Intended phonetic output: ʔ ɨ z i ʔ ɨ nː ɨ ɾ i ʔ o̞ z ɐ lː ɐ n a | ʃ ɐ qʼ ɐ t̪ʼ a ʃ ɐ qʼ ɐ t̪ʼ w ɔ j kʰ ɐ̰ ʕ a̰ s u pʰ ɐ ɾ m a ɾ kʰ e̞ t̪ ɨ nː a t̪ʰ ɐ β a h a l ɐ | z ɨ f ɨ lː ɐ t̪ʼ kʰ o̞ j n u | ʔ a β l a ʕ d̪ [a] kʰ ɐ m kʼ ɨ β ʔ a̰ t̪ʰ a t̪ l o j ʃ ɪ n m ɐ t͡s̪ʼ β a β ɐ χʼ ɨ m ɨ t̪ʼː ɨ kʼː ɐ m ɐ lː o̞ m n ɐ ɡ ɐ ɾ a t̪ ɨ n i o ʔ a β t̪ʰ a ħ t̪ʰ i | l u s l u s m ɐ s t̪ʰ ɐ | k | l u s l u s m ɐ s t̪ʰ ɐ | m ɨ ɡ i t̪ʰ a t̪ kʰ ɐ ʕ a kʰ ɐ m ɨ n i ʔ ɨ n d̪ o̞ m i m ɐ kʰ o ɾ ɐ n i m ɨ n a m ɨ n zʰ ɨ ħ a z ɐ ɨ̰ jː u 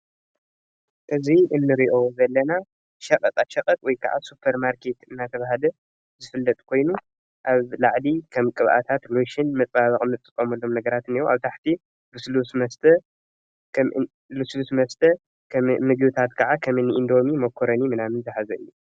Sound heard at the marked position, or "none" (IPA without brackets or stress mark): i